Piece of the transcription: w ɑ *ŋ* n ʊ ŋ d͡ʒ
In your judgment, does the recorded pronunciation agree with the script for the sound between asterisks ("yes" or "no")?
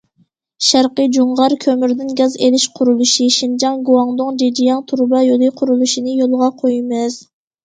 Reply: yes